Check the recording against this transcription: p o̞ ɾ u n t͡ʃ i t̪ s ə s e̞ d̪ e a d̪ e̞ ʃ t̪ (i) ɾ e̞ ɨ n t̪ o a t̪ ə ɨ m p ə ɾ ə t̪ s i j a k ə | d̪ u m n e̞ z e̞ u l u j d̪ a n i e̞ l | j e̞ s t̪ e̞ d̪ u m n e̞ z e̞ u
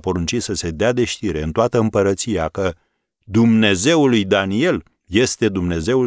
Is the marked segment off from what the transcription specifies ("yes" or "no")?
no